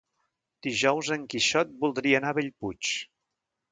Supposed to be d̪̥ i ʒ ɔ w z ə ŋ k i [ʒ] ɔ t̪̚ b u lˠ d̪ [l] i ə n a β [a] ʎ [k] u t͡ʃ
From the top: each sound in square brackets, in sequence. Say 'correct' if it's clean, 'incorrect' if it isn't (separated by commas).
incorrect, incorrect, incorrect, incorrect